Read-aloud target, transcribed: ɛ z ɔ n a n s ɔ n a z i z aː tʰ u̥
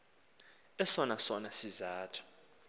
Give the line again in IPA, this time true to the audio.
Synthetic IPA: ɛ s ɔ n a s ɔ n a s i z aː tʰ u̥